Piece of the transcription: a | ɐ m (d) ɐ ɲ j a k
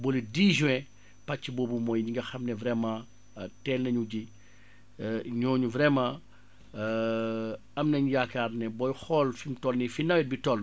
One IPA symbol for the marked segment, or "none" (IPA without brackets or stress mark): n